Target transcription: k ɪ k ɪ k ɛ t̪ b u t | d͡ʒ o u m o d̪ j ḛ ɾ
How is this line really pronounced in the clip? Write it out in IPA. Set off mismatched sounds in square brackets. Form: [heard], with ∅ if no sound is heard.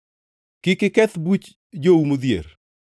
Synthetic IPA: k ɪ k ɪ k ɛ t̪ b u [t͡ʃ] | d͡ʒ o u m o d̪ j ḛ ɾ

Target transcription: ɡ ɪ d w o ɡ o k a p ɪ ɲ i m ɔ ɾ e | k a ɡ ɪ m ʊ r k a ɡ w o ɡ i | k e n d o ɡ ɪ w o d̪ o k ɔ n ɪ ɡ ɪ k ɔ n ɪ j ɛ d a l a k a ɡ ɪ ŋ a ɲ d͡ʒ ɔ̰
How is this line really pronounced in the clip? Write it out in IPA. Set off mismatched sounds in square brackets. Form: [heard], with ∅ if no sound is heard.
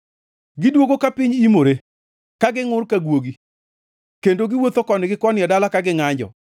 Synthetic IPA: ɡ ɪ d w o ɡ o k a p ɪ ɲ i m [o] ɾ e | k a ɡ ɪ [ŋ] ʊ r k a ɡ w o ɡ i | k e n d o ɡ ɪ w o [t̪] o k ɔ n ɪ ɡ ɪ k ɔ n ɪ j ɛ d a l a k a ɡ ɪ ŋ a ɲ d͡ʒ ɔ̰

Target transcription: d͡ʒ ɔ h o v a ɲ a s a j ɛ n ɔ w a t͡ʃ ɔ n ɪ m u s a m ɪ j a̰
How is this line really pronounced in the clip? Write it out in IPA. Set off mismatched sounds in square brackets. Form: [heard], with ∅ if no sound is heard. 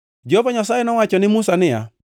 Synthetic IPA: d͡ʒ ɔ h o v a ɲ a s a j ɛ n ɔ w a t͡ʃ ɔ n ɪ m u s a [n] ɪ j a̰

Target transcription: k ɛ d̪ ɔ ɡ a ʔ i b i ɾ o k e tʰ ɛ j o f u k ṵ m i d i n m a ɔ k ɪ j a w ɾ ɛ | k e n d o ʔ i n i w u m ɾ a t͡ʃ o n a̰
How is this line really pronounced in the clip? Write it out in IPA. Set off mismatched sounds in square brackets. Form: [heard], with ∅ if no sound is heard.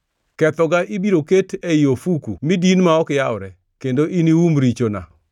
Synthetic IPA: k ɛ [t̪] ɔ ɡ a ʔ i b i ɾ o k e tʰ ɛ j o f u k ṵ m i d i n m a ɔ k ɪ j a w ɾ ɛ | k e n d o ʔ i n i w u m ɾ [i] t͡ʃ o n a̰

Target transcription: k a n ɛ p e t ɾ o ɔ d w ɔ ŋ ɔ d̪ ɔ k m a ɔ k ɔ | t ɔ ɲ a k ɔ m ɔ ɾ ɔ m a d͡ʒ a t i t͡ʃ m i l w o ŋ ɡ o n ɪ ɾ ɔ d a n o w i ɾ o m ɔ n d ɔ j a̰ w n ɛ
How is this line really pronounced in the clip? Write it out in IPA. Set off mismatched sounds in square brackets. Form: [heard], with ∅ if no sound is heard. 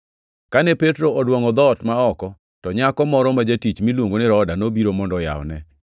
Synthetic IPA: k a n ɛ p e t ɾ o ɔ d w ɔ ŋ ɔ d̪ ɔ [t] m a ɔ k ɔ | t ɔ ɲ a k ɔ m ɔ ɾ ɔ m a d͡ʒ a t i t͡ʃ m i l w o ŋ ɡ o n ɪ ɾ ɔ d a n o [b] i ɾ o m ɔ n d ɔ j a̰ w n ɛ

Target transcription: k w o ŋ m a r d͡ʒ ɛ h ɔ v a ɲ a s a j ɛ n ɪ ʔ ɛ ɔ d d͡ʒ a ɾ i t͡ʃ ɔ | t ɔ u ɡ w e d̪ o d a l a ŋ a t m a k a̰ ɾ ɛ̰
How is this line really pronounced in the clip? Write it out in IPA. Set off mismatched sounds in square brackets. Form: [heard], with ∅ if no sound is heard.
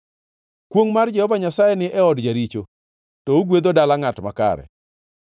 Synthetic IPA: k w o ŋ m a r d͡ʒ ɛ h ɔ v a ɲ a s a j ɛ n ɪ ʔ ɛ ɔ d d͡ʒ a ɾ i t͡ʃ [o] | t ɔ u ɡ w e d̪ o d a l a ŋ a t m a k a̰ ɾ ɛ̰

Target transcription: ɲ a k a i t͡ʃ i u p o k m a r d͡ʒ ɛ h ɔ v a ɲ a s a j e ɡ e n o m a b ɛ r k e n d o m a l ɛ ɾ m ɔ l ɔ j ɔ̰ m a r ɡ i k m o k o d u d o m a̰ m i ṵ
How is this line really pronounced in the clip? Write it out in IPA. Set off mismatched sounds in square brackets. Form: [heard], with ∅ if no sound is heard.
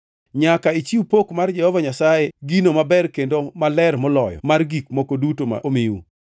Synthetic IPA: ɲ a k a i t͡ʃ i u p o k m a r d͡ʒ ɛ h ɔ v a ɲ a s a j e ɡ [i] n o m a b ɛ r k e n d o m a l ɛ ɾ m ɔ l ɔ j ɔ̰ m a r ɡ i k m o k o d u [t] o m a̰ m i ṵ

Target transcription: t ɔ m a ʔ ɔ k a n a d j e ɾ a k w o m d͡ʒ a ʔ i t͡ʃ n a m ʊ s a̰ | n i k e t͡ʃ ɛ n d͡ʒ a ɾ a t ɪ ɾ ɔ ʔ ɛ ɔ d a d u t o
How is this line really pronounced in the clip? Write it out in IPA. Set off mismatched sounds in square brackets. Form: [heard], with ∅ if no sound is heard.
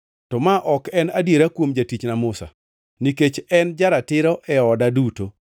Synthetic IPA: t ɔ m a ʔ ɔ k [ɛ] n a d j e ɾ a k w o m d͡ʒ a [t] i t͡ʃ n a m ʊ s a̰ | n i k e t͡ʃ ɛ n d͡ʒ a ɾ a t ɪ ɾ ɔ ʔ ɛ ɔ d a d u t o

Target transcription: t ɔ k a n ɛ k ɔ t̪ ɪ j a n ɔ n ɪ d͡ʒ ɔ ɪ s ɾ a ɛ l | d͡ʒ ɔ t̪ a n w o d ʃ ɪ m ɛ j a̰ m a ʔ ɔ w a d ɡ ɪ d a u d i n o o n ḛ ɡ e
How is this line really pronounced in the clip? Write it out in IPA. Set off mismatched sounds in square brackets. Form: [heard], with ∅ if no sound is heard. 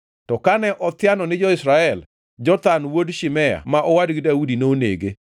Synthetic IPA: t ɔ k a n ɛ [ʔ] ɔ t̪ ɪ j a n ɔ n ɪ d͡ʒ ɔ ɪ s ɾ a ɛ l | d͡ʒ ɔ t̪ a n w o d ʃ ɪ m ɛ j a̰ m a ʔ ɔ w a d ɡ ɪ d a u d i n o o n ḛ ɡ e

